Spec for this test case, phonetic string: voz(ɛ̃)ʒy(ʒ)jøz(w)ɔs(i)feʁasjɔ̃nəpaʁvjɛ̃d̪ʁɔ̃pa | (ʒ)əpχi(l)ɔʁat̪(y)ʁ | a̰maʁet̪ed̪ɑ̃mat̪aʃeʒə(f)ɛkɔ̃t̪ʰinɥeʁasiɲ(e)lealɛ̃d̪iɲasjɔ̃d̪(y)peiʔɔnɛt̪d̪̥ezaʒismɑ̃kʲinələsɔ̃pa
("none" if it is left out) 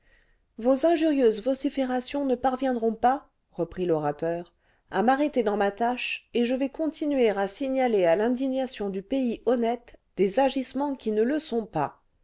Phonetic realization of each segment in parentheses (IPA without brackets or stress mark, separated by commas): ɛ̃, ʁ, v, i, ʁ, l, œ, v, a, y